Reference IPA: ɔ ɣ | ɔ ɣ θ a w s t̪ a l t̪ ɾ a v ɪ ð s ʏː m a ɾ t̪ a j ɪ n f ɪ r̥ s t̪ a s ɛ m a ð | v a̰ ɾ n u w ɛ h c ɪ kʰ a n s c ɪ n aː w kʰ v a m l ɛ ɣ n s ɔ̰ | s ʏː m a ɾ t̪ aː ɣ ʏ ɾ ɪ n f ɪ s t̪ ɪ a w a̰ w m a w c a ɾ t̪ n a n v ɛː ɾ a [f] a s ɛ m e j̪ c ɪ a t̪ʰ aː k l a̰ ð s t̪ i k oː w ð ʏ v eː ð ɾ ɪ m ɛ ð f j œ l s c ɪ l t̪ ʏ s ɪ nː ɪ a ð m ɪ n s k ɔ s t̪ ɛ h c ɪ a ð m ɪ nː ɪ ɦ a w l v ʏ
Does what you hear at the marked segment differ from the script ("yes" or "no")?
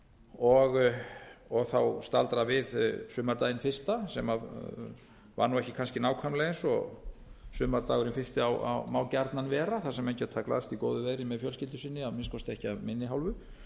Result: yes